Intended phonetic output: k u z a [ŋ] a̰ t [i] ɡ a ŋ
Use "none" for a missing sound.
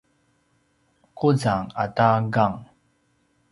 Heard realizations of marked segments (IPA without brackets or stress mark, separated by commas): ŋ, a